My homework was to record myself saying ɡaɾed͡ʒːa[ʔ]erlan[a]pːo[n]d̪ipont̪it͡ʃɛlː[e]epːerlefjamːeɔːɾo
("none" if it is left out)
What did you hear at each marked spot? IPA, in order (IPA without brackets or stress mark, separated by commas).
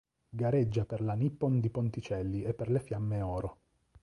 p, i, n, i